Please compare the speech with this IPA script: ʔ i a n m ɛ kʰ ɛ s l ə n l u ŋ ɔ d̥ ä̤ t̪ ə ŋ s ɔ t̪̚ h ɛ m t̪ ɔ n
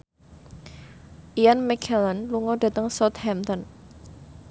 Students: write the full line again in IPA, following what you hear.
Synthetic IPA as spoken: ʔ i a n m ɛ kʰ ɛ l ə n l u ŋ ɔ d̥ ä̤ t̪ ə ŋ s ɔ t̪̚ h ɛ m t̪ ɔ n